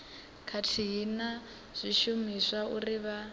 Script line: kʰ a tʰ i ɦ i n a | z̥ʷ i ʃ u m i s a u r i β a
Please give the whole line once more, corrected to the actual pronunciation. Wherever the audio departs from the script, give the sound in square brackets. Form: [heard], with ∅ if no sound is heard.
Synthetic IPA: kʰ a tʰ i ɦ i n a | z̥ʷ i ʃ u m i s a u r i β a